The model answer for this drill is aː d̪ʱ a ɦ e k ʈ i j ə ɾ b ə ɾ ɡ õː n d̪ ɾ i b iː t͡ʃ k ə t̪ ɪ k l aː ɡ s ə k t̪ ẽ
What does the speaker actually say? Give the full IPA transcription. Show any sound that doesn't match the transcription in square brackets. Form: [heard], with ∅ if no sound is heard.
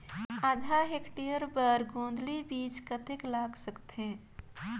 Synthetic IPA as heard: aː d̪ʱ a ɦ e k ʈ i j ə ɾ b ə ɾ ɡ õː n d̪ [l] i b iː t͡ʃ k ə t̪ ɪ k l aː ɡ s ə k t̪ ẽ